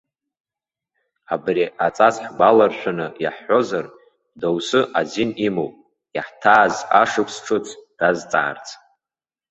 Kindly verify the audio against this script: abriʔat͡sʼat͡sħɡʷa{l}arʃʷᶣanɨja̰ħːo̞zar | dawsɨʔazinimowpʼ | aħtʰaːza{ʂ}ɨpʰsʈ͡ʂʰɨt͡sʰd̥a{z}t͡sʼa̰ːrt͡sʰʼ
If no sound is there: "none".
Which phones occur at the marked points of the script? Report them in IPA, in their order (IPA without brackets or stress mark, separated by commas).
l, ʂ, z